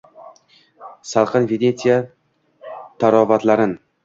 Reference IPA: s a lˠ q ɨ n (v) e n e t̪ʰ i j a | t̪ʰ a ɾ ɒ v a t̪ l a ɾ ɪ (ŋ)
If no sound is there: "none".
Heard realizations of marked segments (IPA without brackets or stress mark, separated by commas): v, n